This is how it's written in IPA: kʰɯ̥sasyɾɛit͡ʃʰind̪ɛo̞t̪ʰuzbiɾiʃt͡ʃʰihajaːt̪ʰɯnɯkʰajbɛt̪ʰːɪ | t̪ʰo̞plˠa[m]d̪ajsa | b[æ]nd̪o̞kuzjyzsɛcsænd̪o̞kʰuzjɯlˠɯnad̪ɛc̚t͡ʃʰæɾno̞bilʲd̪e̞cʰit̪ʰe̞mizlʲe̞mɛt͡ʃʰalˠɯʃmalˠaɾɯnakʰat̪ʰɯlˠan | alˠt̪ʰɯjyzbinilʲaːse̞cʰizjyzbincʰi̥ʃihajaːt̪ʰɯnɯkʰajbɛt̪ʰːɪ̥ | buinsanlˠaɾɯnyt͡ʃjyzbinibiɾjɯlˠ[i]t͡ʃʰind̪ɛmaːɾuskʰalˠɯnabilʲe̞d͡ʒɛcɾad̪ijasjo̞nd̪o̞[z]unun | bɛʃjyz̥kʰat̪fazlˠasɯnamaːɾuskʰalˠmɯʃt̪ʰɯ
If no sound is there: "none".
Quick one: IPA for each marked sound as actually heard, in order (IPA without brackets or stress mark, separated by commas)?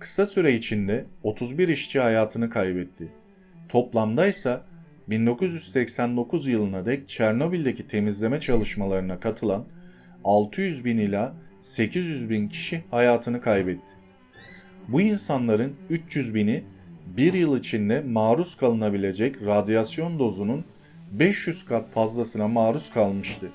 m, i, i, z